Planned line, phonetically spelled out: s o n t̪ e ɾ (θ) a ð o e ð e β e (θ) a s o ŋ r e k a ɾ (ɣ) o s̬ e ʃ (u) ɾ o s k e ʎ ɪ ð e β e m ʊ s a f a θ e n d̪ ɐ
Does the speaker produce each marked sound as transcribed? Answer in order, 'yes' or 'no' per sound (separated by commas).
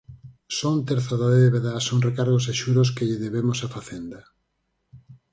yes, no, yes, yes